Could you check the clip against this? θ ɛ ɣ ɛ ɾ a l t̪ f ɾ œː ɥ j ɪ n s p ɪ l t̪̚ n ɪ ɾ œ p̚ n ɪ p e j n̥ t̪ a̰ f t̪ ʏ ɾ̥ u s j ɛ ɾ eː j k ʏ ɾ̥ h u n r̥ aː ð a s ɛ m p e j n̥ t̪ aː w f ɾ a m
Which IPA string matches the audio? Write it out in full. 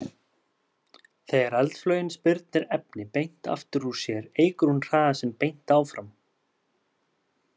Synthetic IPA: θ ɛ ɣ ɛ ɾ a l t̪ f l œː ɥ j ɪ n s p ɪ ɾ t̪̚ n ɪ ɾ ɛ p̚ n ɪ p e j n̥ t̪ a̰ f t̪ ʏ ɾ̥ u s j ɛ ɾ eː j k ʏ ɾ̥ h u n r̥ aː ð a s ɛ m p e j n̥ t̪ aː w f ɾ a m